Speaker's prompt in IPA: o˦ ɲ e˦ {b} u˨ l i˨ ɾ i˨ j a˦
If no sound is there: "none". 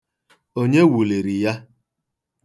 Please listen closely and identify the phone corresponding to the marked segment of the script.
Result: w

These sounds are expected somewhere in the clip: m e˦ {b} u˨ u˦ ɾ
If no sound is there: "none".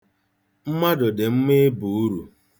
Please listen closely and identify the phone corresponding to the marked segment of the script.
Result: b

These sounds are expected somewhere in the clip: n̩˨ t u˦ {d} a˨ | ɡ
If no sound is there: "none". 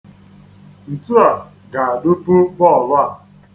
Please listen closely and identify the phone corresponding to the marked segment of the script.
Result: none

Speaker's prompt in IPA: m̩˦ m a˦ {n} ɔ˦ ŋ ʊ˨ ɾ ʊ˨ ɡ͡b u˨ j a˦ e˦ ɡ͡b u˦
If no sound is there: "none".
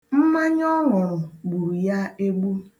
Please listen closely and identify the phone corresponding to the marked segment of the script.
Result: ɲ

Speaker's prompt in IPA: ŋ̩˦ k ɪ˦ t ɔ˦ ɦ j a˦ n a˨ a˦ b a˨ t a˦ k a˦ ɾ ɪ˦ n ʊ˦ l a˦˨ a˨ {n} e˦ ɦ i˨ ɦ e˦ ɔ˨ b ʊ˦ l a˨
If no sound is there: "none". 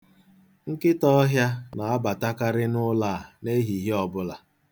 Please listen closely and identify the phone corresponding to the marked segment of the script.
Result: n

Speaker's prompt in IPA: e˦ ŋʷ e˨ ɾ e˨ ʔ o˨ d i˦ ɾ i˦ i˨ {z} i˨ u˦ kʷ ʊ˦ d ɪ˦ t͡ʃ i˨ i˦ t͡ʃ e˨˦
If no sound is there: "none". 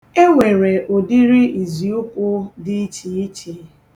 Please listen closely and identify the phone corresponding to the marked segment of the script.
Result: z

